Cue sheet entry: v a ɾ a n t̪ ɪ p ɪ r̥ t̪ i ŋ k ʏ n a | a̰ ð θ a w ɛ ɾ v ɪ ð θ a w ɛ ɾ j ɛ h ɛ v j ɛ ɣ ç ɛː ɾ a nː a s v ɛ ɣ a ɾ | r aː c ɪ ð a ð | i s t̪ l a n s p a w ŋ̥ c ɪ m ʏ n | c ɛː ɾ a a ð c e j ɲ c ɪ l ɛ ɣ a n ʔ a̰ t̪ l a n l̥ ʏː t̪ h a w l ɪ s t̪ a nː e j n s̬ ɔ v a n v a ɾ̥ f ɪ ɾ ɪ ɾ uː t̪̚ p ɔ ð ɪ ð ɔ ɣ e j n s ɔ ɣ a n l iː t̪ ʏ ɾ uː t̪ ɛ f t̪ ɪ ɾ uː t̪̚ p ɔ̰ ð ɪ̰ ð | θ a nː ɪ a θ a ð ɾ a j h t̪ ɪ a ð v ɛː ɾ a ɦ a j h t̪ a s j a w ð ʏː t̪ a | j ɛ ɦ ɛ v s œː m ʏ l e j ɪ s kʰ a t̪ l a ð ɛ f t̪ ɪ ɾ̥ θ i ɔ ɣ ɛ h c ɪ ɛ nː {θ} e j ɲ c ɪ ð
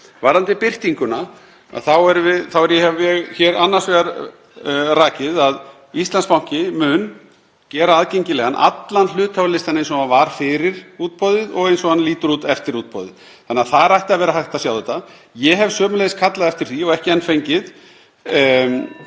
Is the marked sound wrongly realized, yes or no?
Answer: yes